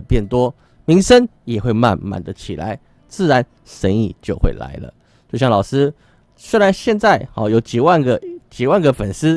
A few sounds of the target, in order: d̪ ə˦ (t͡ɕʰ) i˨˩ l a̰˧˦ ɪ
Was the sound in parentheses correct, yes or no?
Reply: yes